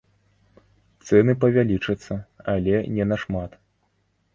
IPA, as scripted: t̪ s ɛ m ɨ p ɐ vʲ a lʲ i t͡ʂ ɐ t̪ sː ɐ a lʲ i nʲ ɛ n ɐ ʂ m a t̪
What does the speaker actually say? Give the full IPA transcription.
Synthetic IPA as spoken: t̪ s ɛ n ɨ p ɐ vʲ a lʲ i t͡ʂ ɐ t̪ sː ɐ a lʲ ɛ nʲ ɛ n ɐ ʂ m a t̪